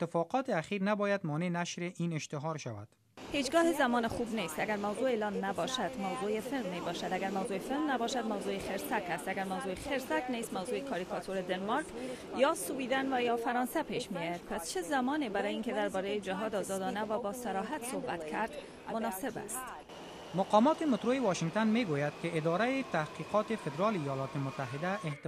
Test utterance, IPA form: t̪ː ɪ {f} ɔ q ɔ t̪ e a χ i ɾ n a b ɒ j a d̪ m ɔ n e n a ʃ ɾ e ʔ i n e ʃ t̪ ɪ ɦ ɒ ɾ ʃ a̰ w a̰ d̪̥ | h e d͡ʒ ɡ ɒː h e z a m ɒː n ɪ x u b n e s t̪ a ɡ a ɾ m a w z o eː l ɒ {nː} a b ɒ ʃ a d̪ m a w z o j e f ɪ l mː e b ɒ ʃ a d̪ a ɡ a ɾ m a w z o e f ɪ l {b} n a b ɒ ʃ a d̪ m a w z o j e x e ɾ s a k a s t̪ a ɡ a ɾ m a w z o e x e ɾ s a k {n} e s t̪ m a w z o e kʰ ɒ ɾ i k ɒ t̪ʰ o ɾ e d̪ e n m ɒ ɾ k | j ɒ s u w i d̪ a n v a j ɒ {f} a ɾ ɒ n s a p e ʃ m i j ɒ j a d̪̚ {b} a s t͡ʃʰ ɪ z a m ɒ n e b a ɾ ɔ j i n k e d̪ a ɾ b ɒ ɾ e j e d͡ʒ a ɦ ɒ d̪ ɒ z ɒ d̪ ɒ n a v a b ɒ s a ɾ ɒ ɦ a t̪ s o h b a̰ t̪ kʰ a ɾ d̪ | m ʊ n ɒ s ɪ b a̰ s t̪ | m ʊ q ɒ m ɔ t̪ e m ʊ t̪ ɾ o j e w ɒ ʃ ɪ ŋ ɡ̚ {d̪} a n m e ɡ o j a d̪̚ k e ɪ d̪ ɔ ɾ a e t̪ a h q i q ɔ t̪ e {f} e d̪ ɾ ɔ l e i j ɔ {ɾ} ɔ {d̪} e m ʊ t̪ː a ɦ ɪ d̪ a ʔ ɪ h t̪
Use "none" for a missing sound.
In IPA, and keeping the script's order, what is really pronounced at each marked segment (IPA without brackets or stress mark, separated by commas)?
f, nː, m, n, f, p, t̪, f, l, t̪